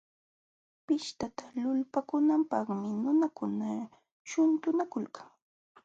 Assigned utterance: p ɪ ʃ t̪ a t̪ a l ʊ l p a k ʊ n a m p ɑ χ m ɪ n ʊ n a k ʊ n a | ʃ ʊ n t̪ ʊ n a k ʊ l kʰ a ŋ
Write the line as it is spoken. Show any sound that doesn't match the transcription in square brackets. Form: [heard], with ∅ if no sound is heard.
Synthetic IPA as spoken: p ɪ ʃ t̪ a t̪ a l ʊ l p a k ʊ n a m p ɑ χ m ɪ n ʊ n a k ʊ n a | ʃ ʊ n t̪ ʊ n a k ʊ l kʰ a ŋ